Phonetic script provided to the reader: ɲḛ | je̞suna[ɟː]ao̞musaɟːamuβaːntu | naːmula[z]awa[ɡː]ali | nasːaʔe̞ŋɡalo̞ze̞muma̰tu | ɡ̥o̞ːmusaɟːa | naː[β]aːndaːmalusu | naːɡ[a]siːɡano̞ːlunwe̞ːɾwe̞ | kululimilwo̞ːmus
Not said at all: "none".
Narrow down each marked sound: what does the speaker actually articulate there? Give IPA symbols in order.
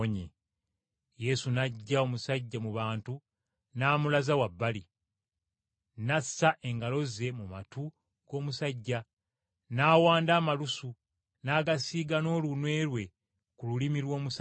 ɟː, z, bː, w, a

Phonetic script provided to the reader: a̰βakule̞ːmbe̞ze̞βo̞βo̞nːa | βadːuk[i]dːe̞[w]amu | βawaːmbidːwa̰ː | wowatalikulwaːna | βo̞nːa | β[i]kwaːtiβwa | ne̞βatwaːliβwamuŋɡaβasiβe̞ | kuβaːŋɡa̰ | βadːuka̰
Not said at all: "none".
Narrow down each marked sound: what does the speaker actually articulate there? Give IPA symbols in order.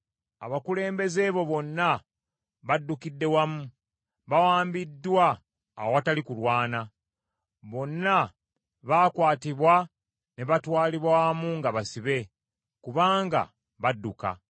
i, w, a

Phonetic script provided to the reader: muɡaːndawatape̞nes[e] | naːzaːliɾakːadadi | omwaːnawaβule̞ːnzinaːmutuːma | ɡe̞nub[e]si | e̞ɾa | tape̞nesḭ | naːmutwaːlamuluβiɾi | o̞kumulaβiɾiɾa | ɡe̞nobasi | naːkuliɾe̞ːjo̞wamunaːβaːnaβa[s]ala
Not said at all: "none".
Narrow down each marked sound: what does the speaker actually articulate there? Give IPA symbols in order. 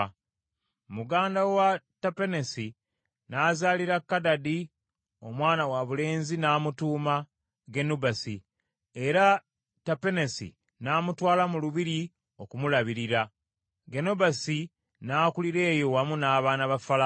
i, a, f

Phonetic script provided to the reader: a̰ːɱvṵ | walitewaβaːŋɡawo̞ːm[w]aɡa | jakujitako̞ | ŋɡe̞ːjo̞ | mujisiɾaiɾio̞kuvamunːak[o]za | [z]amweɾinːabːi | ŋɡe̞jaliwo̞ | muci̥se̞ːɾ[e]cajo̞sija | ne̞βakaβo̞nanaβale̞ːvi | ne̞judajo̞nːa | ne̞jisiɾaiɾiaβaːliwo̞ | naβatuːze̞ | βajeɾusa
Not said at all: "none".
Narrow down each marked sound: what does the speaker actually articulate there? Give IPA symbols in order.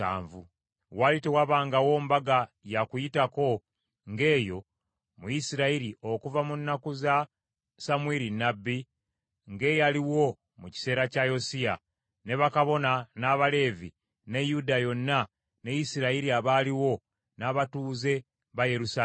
b, u, s, a

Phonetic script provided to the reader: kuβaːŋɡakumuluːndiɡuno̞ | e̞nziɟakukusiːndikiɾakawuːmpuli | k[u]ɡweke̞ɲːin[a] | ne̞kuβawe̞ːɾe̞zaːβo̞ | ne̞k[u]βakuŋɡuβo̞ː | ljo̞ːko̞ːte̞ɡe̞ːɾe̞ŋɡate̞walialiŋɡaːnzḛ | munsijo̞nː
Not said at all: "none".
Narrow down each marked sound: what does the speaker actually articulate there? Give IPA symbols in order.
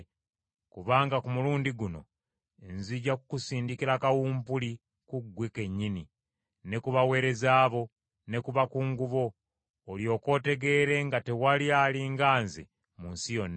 u, i, u

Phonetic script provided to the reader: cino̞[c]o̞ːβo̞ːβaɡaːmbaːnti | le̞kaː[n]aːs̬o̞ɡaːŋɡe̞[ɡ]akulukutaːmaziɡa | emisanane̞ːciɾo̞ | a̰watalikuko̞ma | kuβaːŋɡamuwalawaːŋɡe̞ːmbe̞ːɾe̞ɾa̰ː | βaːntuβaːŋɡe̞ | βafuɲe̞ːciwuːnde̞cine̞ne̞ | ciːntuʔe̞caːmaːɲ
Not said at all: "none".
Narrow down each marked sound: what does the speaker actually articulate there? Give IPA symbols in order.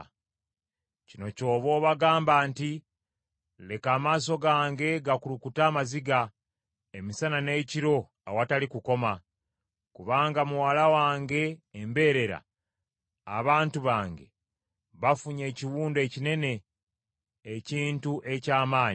c, m, ɡ

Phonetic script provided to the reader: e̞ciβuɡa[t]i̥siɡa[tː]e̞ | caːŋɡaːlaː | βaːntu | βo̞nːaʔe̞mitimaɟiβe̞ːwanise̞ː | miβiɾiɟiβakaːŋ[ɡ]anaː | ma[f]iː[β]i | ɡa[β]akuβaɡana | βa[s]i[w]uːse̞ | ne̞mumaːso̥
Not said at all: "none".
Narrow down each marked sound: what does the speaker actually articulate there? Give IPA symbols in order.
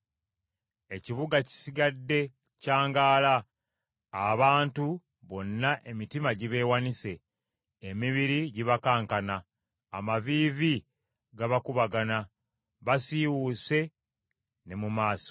c, dː, k, v, v, β, s, w

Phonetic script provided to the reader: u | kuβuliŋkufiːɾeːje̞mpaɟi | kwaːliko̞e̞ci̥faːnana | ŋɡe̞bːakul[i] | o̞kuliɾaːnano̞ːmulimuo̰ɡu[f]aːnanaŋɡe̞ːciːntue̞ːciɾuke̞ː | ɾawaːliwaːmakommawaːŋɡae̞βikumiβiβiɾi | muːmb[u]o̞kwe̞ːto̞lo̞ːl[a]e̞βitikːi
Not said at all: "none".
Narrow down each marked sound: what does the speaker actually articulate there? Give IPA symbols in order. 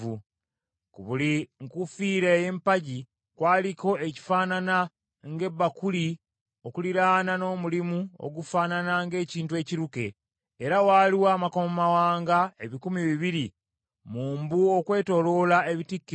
i, f, u, a

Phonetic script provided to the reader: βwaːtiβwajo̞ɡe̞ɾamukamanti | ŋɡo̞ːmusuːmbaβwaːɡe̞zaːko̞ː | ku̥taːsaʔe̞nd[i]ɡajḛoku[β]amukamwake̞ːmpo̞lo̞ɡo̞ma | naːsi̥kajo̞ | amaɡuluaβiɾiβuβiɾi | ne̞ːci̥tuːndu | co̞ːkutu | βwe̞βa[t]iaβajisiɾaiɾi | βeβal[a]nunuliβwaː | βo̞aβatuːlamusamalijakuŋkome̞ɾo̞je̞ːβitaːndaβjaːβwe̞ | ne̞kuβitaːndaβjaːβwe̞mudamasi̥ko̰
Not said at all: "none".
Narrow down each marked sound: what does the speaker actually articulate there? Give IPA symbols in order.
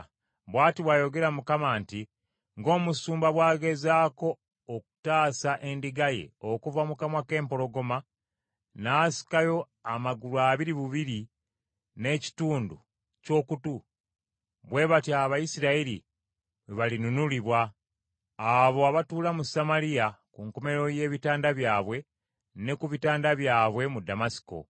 i, v, t, i

